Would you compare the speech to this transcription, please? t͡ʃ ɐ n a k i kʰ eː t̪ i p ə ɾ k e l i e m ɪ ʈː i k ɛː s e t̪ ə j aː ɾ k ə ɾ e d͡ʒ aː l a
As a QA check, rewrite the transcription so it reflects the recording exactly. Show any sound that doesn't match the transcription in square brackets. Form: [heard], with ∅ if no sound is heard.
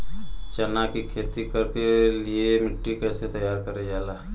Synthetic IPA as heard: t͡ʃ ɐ n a k i kʰ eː t̪ i [k] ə ɾ k e l i e m ɪ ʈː i k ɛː s e t̪ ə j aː ɾ k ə ɾ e d͡ʒ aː l a